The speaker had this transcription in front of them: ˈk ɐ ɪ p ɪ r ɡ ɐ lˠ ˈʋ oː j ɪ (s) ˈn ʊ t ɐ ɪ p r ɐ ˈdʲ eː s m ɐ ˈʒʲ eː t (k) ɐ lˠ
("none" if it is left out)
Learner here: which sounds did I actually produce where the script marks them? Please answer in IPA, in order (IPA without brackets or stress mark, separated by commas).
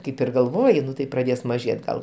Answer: none, ɡ